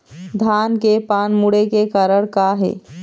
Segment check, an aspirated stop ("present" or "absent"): absent